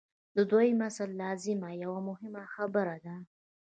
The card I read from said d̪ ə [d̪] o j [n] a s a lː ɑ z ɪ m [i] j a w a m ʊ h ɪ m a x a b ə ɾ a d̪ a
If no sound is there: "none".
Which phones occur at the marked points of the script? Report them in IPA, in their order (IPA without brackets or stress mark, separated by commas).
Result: d̪, m, a